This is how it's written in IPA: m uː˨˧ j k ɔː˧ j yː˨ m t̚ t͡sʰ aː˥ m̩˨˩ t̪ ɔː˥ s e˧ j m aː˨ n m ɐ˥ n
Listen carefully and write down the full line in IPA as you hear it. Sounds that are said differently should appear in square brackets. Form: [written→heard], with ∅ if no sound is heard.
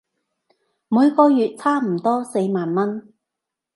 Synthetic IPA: m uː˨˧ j k ɔː˧ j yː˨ [m→∅] t̚ t͡sʰ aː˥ m̩˨˩ t̪ ɔː˥ s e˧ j m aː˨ n m ɐ˥ n